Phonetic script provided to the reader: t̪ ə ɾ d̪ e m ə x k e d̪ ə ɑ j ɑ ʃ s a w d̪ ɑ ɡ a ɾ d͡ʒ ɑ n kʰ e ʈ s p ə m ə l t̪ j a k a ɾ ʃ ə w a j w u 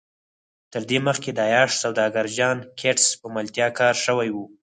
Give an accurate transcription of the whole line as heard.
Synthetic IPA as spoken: t̪ ə ɾ d̪ e m ə x k e d̪ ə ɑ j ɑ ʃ s a w d̪ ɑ ɡ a ɾ d͡ʒ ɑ n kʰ e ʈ s p ə m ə l t̪ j ɑ k ɑ ɾ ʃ ə w a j w u